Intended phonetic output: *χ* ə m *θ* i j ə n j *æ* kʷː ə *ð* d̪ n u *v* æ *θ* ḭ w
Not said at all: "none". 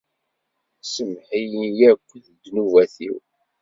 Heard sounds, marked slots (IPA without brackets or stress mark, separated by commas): s, ħ, æ, ð, v, θ